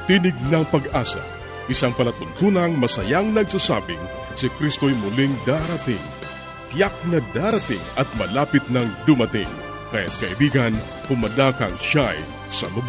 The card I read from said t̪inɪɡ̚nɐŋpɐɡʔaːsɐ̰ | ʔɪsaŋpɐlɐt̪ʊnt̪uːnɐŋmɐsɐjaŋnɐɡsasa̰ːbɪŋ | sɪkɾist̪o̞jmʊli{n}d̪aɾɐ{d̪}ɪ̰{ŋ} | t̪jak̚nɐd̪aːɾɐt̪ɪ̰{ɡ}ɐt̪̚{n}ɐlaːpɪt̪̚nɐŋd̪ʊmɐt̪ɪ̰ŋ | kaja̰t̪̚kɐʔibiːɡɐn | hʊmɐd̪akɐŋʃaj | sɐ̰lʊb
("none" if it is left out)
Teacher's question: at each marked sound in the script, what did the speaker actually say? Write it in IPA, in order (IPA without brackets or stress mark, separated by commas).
ŋ, t̪, ŋ, ŋ, m